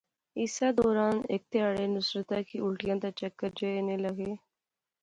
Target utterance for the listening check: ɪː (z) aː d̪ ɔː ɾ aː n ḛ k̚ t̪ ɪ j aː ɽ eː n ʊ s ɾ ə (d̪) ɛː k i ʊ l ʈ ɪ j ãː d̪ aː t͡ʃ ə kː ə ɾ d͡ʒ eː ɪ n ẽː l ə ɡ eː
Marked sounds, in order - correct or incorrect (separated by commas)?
incorrect, incorrect